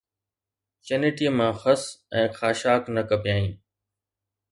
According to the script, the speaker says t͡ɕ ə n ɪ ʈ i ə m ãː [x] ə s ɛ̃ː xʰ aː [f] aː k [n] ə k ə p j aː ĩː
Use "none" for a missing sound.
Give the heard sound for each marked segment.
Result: x, ʃ, n

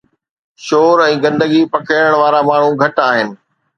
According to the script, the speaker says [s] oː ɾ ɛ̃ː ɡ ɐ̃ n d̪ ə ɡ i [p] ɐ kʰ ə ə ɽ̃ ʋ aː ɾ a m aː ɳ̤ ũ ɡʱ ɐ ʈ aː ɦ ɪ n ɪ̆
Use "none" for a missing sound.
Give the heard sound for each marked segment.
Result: ʃ, p

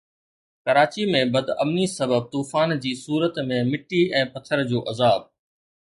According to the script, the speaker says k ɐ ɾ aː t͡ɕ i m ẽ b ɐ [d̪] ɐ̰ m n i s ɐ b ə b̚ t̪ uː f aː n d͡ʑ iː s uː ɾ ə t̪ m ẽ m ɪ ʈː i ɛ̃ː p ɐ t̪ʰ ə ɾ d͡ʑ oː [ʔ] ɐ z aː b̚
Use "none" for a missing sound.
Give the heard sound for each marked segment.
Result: d̪, ʔ

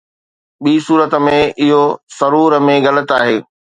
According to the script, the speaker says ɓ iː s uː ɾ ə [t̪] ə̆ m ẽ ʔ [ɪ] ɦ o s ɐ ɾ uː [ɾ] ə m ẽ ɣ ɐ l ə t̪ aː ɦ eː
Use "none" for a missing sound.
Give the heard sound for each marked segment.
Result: t̪, ɪ, ɾ

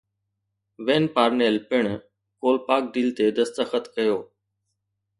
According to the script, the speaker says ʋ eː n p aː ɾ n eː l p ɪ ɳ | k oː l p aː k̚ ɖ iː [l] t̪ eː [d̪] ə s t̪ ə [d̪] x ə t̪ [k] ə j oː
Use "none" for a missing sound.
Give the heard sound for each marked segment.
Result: l, d̪, none, k

